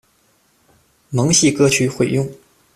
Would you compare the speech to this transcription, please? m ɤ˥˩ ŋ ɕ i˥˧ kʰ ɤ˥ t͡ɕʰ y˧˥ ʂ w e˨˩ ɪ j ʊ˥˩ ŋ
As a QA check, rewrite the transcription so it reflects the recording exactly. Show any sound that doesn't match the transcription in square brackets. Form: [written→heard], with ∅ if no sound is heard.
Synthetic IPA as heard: m [ɤ˥˩→ɤ˧˥] ŋ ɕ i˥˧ [kʰ→k] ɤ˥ t͡ɕʰ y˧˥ [ʂ→x] w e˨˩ ɪ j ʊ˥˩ ŋ